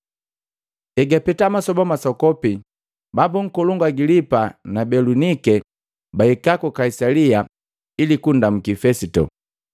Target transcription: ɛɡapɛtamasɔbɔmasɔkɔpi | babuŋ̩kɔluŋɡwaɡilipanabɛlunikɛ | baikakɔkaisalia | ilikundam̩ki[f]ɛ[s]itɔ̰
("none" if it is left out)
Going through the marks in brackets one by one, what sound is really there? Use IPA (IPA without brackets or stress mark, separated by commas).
f, s